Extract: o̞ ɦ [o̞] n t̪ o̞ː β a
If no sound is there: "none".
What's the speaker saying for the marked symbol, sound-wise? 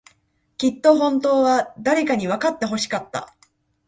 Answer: õ̞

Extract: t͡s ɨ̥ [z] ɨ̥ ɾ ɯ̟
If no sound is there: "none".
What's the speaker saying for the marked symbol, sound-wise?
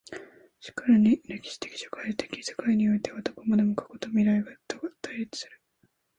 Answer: s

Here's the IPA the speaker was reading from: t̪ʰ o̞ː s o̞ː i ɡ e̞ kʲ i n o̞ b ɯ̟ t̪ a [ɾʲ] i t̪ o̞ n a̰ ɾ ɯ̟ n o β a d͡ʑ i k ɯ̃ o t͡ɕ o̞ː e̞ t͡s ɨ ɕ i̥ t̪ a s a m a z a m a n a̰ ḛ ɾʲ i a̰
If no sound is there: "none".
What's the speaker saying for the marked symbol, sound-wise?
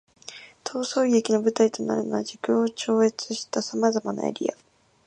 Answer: none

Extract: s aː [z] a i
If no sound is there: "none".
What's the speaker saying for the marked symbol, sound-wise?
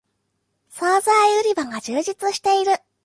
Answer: z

